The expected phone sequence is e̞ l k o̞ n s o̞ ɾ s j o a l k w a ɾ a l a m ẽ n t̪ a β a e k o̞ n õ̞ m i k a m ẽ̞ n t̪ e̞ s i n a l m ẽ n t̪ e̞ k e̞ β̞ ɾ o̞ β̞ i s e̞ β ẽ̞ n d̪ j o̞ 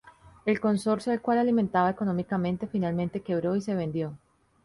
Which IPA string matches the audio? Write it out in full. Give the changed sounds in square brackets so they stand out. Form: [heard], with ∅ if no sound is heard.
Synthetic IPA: e̞ l k o̞ n s o̞ ɾ s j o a l k w a [l] a l [i] m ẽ n t̪ a β a e k o̞ n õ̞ m i k a m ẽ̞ n t̪ e̞ [f] i n a l m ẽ n t̪ e̞ k e̞ β̞ ɾ o̞ [∅] i s e̞ β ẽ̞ n d̪ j o̞